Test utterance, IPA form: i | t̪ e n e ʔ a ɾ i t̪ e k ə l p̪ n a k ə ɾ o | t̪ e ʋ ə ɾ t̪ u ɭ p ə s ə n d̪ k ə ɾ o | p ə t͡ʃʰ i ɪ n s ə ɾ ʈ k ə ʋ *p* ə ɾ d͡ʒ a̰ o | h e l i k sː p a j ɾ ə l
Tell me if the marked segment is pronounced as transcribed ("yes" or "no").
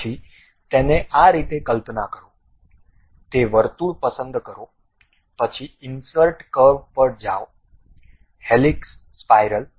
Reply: yes